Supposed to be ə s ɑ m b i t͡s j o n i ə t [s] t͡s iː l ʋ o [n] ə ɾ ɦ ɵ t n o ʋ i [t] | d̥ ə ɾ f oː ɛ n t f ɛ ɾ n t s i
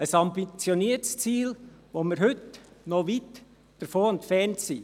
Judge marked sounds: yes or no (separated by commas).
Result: yes, no, yes